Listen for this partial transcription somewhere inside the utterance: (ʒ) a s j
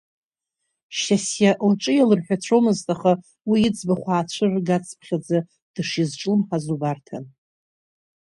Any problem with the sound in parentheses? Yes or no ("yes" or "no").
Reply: yes